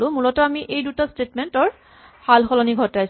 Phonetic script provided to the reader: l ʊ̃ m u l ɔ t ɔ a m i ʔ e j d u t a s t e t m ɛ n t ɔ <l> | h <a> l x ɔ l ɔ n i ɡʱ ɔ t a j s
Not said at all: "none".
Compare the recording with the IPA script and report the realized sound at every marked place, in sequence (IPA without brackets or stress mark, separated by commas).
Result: ɹ, a